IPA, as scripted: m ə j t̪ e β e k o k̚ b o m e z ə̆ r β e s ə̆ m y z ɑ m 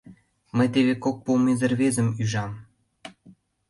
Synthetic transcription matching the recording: m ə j t̪ e β e k o k̚ p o m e z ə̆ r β e z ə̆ m y ʒ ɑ m